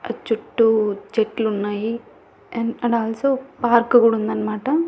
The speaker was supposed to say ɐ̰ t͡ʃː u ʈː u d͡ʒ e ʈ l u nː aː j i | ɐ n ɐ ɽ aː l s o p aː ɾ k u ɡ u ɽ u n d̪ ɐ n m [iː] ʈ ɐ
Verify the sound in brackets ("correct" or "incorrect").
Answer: incorrect